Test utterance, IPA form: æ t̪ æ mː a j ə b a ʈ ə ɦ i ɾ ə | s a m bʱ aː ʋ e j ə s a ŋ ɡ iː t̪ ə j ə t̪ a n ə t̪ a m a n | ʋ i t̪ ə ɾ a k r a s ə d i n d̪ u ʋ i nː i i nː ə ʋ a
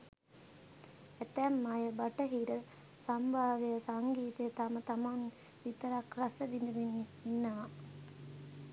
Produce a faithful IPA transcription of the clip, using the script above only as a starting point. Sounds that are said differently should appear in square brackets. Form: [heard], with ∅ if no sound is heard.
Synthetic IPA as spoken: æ t̪ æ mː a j ə b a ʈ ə ɦ i ɾ ə | s a m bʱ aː ʋ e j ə s a ŋ ɡ iː t̪ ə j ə t̪ a [m] ə t̪ a m a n | ʋ i t̪ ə ɾ a k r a s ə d i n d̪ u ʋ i nː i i nː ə ʋ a